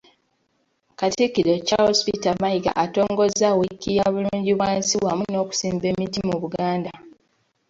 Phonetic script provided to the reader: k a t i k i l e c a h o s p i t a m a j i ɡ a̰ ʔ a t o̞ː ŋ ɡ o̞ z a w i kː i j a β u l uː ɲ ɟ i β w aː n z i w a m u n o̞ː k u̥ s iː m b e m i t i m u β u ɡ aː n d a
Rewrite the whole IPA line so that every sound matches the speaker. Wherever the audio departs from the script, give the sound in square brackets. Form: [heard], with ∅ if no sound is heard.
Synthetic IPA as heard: k a t i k i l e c a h o s p i t a m a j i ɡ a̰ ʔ a t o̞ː ŋ ɡ o̞ z a w i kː i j a β u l uː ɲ ɟ i β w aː n [s] i w a m u n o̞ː k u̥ s iː m b e m i t i m u β u ɡ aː n d a